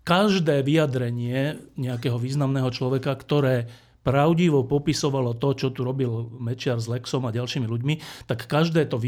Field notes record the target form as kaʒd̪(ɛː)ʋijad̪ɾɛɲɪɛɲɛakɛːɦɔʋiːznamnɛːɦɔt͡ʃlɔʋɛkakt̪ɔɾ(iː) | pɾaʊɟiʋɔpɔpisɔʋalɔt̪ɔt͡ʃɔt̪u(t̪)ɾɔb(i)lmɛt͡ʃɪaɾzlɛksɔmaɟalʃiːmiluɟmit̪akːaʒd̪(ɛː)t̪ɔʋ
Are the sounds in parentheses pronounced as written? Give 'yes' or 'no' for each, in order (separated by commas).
yes, no, no, yes, yes